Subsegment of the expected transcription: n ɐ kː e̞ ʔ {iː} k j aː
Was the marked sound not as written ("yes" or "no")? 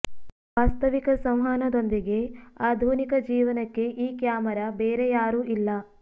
no